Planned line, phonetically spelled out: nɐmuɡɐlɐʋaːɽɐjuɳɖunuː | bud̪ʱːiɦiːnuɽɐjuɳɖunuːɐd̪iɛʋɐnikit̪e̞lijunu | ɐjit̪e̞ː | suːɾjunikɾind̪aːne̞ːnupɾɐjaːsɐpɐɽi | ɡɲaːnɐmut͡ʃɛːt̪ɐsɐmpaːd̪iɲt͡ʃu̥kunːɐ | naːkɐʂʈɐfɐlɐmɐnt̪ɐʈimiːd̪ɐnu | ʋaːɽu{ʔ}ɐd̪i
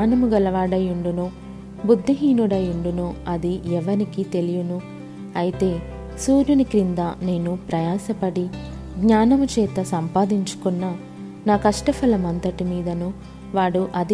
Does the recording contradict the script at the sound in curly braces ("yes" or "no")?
no